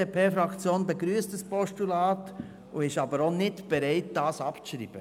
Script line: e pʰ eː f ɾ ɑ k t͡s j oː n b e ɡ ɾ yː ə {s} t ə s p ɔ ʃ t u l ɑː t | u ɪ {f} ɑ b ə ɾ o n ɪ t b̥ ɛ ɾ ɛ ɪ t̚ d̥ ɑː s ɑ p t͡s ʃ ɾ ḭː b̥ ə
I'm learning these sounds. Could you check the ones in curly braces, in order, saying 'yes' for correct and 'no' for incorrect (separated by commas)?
yes, no